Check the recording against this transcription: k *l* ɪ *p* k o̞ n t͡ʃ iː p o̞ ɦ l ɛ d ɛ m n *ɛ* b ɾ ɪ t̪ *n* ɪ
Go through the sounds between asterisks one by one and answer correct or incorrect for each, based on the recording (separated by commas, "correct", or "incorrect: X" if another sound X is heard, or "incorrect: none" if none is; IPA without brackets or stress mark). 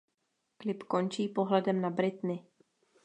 correct, correct, incorrect: a, correct